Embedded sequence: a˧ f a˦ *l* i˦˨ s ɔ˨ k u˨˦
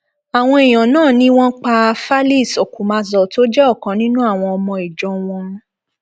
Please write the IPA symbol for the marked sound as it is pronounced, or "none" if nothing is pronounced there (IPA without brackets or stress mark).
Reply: l